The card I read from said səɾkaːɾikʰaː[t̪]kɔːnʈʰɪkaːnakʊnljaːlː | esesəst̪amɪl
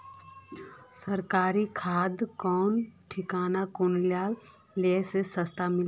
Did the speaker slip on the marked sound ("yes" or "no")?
yes